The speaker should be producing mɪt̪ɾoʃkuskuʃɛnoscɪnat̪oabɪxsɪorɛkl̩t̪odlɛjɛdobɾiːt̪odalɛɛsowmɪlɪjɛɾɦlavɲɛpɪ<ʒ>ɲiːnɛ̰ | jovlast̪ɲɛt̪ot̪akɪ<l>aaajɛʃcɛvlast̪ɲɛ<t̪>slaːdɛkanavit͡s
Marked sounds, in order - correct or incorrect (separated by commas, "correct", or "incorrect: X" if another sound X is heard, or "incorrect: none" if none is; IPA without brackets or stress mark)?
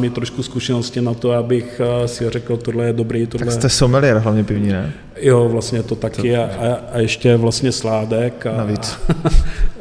incorrect: v, incorrect: none, incorrect: none